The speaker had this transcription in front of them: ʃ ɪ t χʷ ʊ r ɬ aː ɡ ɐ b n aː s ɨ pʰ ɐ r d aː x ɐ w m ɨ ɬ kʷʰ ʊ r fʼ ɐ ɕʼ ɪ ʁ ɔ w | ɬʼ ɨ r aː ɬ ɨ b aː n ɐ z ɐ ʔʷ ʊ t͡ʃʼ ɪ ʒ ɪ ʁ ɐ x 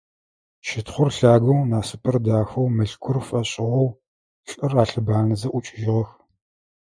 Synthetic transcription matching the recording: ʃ ɪ t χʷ ʊ r ɬ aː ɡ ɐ w n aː s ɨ pʰ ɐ r d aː x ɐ w m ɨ ɬ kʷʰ ʊ r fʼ ɐ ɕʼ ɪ ʁ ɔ w | ɬʼ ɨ r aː ɬ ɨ b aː n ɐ z ɐ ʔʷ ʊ t͡ʃʼ ɪ ʒ ɪ ʁ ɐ x